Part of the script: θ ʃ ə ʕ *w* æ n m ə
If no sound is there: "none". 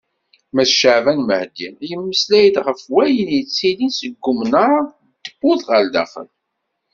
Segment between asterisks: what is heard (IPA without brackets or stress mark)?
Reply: v